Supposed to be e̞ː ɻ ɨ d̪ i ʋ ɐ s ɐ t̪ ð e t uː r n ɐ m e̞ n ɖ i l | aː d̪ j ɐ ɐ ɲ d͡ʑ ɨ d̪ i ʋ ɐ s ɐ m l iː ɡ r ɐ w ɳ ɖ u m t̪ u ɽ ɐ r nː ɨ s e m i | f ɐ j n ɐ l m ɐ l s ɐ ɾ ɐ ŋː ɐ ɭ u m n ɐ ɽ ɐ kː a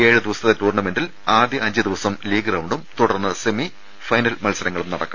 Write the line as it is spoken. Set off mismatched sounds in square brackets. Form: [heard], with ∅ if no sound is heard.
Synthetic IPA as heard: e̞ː ɻ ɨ d̪ i ʋ ɐ s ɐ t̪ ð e t uː r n ɐ m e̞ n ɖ i l | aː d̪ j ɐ ɐ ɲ d͡ʑ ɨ d̪ i ʋ ɐ s ɐ m l iː ɡ r ɐ w ɳ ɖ u m t̪ u ɽ ɐ r nː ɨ s e m i | f ɐ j n ɐ l m ɐ l s ɐ ɾ ɐ ŋː ɐ ɭ u m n ɐ ɽ ɐ kː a